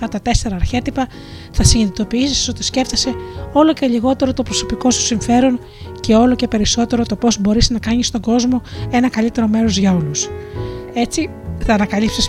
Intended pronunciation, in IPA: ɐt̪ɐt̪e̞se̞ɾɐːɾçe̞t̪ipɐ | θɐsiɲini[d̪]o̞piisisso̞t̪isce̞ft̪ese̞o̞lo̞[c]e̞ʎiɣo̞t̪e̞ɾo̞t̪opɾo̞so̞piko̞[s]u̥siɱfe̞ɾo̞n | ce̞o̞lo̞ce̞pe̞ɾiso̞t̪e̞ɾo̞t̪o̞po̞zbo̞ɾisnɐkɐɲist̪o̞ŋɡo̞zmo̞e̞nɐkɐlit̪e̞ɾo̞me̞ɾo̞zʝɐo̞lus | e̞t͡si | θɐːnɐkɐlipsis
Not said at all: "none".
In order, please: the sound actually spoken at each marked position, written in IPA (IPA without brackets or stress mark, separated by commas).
t̪, c, s